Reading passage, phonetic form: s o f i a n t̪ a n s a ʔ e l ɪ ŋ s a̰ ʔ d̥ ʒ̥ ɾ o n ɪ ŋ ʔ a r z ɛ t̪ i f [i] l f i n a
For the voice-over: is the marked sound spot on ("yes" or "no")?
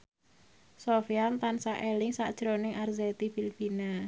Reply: yes